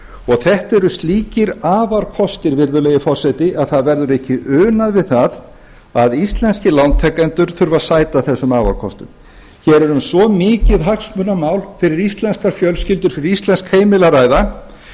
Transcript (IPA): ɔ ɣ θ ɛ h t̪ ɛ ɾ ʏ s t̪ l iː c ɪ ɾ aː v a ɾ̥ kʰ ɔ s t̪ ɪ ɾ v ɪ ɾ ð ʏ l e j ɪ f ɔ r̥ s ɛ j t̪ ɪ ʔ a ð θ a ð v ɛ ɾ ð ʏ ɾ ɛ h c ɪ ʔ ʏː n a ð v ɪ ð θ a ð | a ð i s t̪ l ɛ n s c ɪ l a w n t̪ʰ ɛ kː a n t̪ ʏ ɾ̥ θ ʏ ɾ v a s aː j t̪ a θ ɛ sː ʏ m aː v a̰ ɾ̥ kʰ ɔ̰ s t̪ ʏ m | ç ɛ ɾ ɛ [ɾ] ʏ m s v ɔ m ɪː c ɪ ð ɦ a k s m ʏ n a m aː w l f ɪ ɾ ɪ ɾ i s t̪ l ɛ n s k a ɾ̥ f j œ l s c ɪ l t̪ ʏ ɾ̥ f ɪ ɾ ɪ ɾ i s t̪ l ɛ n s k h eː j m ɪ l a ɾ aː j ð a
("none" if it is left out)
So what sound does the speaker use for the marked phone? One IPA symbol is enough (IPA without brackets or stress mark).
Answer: ɾ